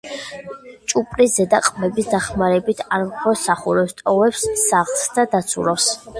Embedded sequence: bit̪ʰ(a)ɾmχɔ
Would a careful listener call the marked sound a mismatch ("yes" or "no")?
no